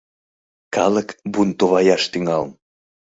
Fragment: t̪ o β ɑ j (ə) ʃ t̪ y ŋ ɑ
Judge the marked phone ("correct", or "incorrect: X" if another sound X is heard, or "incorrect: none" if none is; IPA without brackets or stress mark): incorrect: ɑ